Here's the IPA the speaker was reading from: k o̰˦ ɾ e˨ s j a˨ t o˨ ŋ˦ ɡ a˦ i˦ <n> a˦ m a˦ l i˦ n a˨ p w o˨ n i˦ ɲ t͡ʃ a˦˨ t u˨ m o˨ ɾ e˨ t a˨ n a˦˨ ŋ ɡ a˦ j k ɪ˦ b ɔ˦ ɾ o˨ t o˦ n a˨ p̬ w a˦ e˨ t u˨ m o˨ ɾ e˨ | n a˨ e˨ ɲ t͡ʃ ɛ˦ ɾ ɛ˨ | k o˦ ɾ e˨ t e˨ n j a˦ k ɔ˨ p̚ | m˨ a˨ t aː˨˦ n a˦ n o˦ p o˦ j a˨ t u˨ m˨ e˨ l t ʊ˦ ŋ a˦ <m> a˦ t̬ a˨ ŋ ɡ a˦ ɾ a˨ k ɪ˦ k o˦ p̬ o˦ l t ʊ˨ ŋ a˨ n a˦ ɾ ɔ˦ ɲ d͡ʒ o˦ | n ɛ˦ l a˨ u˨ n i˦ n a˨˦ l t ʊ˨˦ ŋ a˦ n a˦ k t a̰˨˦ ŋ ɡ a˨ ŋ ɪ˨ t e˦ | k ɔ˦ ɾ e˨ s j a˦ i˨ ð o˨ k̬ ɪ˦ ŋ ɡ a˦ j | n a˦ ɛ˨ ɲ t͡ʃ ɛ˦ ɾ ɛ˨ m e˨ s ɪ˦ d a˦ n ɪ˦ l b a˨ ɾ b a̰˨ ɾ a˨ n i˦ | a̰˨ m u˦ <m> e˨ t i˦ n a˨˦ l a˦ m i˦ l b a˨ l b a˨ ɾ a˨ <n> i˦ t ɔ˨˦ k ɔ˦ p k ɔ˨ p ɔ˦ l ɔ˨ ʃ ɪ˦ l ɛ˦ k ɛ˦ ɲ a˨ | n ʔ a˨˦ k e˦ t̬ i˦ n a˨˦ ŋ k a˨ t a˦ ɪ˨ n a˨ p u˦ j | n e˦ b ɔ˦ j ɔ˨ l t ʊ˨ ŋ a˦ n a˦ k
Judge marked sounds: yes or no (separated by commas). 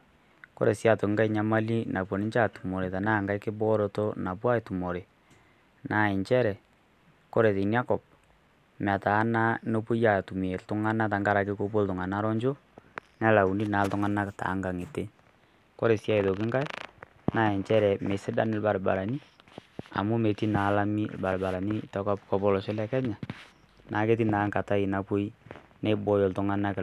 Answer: no, no, yes, yes